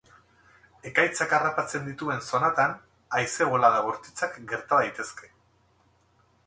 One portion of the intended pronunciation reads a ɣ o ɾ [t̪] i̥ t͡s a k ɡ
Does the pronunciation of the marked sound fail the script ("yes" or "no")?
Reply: no